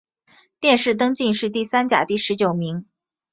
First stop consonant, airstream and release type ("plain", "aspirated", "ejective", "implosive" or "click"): plain